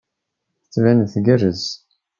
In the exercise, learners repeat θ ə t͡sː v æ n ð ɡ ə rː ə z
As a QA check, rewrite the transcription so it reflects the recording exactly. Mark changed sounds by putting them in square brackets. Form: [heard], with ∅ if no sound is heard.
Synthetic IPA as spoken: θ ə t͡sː v æ n [θ] ɡ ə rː ə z